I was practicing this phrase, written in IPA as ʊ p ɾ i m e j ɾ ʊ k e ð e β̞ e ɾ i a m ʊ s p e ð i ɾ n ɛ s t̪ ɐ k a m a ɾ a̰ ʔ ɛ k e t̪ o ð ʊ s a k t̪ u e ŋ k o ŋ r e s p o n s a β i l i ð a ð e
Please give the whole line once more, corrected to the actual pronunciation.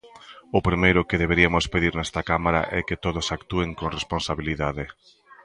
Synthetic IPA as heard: ʊ p ɾ i m e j ɾ ʊ k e ð e β̞ e ɾ i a m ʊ s p e ð i ɾ n ɛ s t̪ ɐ k a m a ɾ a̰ ʔ ɛ k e t̪ o ð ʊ s a k t̪ u e ŋ k o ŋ r e s p o n s a β i l i ð a ð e